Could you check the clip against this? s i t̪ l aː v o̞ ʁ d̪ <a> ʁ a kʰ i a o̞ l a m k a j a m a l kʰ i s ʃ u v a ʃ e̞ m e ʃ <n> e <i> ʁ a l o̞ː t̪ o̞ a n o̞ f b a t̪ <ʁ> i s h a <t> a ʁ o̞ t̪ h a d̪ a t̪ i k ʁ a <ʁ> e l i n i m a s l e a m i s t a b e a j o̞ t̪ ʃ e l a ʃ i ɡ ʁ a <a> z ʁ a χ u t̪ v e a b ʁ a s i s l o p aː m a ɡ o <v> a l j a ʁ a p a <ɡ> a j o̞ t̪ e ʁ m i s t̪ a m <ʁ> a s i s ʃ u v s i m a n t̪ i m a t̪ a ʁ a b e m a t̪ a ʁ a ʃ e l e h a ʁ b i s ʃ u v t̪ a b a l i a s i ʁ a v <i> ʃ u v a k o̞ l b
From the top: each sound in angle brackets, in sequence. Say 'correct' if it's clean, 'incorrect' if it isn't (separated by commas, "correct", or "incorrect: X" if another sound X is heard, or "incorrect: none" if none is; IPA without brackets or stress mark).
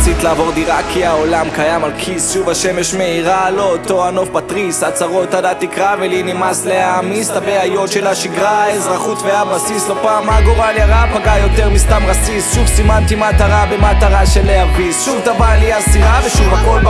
incorrect: i, incorrect: m, correct, correct, incorrect: t͡s, incorrect: v, incorrect: e, incorrect: ʁ, correct, correct, incorrect: e